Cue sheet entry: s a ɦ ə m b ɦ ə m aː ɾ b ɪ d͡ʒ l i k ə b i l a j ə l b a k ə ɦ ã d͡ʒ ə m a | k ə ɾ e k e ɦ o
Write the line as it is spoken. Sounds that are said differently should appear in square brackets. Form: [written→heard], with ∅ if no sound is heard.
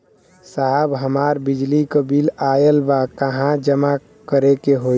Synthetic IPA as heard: s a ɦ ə [m→∅] b ɦ ə m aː ɾ b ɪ d͡ʒ l i k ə b i l a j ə l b a k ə ɦ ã d͡ʒ ə m a | k ə ɾ e k e ɦ o